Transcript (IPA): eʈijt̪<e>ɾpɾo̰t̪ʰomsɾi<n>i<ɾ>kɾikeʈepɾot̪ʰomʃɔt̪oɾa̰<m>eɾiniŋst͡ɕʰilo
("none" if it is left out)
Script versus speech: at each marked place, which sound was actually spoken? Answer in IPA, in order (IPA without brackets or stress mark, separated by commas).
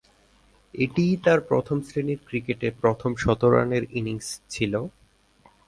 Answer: a, n, ɾ, n